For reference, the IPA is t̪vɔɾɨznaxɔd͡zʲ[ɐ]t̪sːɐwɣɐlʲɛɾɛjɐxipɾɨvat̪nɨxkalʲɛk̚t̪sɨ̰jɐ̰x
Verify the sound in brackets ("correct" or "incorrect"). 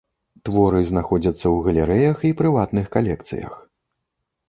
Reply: correct